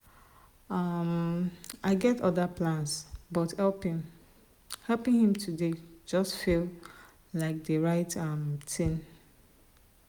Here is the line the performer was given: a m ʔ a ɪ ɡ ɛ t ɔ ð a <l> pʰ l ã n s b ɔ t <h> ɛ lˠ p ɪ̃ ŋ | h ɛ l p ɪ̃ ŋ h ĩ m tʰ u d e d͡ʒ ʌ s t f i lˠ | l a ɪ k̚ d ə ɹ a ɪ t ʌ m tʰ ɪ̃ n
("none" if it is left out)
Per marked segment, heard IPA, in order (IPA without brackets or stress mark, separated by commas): none, h